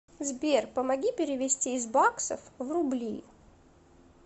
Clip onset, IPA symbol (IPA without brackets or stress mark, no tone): z